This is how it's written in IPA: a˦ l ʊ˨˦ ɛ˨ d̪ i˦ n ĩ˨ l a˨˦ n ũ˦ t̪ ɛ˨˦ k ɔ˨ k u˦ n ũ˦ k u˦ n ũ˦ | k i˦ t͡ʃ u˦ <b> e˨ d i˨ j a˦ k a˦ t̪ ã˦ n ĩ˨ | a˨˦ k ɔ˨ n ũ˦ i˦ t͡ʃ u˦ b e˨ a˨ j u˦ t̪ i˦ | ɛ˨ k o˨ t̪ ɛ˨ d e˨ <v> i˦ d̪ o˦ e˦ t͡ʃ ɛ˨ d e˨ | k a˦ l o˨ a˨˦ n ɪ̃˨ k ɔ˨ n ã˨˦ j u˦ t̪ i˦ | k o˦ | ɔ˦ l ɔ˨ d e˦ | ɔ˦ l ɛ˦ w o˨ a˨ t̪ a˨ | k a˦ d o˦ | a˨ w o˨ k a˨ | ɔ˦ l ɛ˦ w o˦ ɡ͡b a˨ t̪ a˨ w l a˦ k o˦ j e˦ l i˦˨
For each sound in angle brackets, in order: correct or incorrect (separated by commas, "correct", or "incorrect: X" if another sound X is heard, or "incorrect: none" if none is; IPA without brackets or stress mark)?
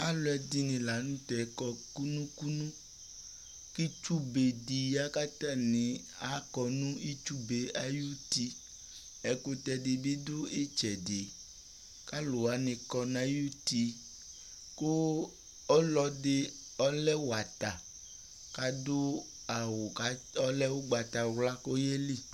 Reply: correct, incorrect: b